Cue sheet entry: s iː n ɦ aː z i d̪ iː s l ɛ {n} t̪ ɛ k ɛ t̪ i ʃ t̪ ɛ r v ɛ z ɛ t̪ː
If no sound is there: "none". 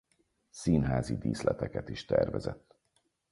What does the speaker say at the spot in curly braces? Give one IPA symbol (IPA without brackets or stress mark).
none